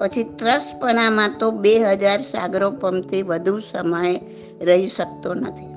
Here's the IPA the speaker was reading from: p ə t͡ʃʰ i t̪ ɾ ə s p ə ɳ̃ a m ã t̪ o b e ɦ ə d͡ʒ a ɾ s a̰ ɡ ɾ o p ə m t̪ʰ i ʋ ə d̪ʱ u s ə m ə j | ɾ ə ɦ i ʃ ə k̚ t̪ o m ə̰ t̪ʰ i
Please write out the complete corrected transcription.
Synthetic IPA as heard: p ə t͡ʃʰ i t̪ ɾ ə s p ə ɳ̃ a m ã t̪ o b e ɦ ə d͡ʒ a ɾ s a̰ ɡ ɾ o p ə m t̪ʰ i ʋ ə d̪ʱ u s ə m ə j | ɾ ə ɦ i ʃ ə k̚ t̪ o n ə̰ t̪ʰ i